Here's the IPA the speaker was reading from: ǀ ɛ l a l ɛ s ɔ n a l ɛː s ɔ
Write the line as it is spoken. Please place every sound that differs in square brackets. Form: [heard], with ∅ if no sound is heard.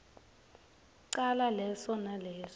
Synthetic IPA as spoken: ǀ [a] l a l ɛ s ɔ n a l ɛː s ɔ